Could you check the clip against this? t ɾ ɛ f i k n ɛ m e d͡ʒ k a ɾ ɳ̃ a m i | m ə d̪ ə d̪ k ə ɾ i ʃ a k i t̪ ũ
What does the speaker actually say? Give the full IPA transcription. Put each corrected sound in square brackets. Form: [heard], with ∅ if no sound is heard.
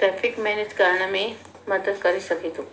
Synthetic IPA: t ɾ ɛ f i k [m] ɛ [n] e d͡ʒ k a ɾ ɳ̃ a m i | m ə d̪ ə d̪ k ə ɾ i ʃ [ə] k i t̪ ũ